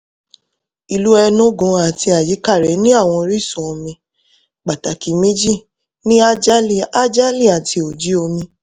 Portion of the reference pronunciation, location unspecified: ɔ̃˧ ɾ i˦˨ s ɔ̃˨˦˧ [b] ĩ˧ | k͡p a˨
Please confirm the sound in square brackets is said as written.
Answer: no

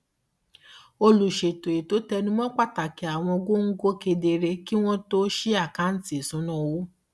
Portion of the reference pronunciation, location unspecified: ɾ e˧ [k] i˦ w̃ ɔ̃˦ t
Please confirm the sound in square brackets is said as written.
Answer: yes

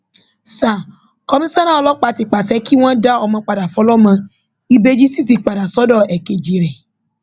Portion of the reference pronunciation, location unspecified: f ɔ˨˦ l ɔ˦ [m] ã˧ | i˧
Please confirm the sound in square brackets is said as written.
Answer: yes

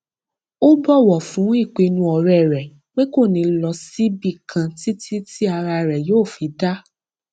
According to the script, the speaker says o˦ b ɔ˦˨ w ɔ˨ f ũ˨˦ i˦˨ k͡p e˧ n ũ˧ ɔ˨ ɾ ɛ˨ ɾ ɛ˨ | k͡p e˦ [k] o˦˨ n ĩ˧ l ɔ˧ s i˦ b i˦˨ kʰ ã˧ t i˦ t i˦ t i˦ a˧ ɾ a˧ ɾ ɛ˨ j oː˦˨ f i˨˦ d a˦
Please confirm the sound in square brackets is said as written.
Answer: yes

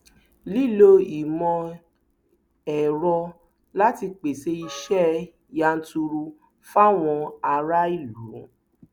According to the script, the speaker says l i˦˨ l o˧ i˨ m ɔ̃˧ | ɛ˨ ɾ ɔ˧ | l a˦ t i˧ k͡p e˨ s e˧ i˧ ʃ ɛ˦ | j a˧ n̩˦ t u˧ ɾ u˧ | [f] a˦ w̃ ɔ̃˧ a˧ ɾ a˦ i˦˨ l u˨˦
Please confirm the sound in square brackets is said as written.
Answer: yes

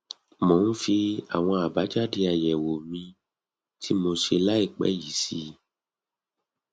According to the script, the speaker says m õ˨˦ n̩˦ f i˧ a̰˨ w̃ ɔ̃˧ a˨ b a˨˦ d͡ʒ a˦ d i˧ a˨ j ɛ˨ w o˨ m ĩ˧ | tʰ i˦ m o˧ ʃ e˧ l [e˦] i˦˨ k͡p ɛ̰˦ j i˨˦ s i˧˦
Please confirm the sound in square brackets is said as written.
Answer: no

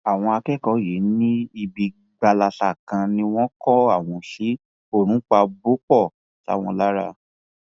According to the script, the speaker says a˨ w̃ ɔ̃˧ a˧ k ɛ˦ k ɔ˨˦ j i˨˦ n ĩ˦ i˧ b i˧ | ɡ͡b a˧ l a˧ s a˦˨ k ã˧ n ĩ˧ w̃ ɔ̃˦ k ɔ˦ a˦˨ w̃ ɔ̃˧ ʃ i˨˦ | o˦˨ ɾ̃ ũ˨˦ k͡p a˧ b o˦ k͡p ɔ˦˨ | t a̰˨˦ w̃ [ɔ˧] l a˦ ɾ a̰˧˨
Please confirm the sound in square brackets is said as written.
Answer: no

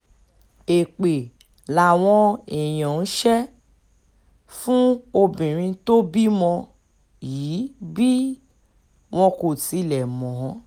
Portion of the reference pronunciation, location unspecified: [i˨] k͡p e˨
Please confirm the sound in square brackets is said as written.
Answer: no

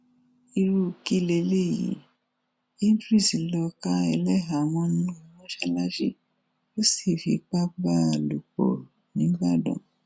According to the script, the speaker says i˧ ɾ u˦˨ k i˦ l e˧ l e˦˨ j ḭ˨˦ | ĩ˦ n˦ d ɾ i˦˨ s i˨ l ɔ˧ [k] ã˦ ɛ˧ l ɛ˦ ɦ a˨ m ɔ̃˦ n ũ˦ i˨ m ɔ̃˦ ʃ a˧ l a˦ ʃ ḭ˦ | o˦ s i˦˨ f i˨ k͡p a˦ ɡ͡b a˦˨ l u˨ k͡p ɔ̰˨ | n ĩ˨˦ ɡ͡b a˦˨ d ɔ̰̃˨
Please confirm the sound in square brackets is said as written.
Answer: yes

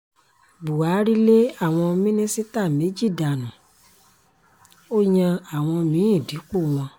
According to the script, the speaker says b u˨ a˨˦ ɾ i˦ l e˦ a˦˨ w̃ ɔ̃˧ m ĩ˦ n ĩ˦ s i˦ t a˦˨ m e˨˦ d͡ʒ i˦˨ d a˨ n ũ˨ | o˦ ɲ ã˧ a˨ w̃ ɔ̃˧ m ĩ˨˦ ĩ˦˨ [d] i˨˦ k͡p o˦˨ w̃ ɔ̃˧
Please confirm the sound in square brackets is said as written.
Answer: yes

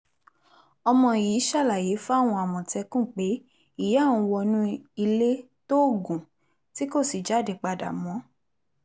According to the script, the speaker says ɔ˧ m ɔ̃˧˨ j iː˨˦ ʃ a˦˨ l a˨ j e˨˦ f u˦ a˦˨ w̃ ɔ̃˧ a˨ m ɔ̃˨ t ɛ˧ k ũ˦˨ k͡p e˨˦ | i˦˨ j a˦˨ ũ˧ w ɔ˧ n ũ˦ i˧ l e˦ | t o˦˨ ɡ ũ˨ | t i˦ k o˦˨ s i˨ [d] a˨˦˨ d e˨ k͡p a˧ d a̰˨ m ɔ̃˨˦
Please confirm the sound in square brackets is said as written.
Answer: no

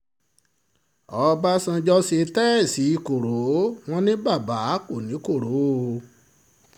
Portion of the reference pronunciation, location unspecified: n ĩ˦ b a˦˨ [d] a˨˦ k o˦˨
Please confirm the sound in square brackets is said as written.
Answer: no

